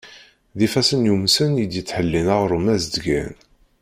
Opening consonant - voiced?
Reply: yes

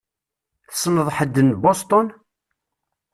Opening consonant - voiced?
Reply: no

